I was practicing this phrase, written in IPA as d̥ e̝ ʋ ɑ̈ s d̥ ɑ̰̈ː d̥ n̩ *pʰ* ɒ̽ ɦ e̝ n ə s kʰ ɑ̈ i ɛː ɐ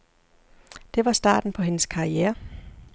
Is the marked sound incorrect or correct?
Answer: correct